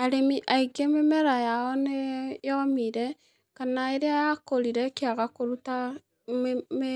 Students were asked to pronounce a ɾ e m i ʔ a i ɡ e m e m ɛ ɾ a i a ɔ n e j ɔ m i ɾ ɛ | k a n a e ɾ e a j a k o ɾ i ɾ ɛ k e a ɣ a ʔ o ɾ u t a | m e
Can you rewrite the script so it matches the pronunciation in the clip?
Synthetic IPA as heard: a ɾ e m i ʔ a i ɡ e m e m ɛ ɾ a j a ɔ n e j ɔ m i ɾ ɛ | k a n a e ɾ e a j a k o ɾ i ɾ ɛ k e a ɣ a k o ɾ u t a | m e